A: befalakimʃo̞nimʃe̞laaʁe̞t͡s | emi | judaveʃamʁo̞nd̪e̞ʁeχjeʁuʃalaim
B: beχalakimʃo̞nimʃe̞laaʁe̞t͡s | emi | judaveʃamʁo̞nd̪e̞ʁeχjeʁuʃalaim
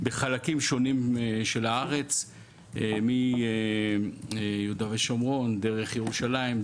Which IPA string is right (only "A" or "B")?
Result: B